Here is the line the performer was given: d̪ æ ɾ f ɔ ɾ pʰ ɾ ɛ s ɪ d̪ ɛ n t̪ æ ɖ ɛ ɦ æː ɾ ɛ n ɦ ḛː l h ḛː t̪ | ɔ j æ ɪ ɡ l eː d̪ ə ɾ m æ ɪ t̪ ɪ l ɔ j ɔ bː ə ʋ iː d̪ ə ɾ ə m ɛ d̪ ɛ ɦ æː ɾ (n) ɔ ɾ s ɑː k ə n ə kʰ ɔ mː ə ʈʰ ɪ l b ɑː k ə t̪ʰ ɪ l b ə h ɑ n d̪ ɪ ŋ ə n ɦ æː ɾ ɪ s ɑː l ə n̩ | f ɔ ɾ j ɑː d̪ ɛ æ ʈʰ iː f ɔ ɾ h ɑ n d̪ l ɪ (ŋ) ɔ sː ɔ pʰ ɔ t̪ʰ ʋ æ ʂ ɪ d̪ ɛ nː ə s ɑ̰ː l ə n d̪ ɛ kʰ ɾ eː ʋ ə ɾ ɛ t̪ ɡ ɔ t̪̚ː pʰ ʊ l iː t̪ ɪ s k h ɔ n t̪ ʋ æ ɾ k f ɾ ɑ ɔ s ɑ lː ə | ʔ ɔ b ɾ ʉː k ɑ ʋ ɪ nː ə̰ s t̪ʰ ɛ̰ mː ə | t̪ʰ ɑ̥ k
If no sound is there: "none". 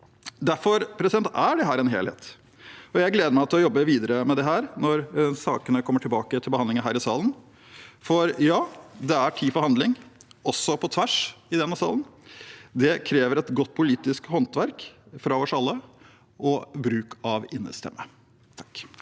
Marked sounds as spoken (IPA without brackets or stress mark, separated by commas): n, ŋ